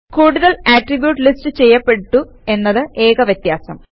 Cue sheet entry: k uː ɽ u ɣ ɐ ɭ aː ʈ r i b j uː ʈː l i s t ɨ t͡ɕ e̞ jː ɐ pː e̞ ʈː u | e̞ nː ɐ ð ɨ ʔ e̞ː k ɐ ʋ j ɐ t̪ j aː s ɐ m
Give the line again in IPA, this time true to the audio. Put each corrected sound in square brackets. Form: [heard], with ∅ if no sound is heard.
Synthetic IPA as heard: k uː ɽ u [ð] ɐ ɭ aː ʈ r i b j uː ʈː l i s t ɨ t͡ɕ e̞ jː ɐ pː e̞ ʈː u | e̞ nː ɐ ð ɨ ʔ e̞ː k ɐ ʋ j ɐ t̪ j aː s ɐ m